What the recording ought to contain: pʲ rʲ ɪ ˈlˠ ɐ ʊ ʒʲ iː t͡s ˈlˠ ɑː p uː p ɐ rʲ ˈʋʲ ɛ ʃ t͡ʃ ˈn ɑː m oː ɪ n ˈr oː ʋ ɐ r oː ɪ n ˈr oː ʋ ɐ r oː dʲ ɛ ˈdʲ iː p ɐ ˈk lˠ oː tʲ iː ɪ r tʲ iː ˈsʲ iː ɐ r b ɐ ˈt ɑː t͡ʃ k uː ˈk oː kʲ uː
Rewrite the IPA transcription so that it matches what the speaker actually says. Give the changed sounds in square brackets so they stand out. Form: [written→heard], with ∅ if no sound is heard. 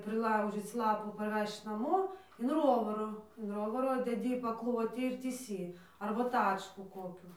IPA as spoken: pʲ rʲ ɪ ˈlˠ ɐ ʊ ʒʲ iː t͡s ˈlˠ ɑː p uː p ɐ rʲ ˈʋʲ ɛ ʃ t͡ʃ ˈn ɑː m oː ɪ n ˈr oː ʋ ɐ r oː ɪ n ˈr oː ʋ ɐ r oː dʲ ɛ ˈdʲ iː p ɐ ˈk lˠ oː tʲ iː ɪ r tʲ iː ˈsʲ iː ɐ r b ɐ ˈt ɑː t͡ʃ k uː ˈk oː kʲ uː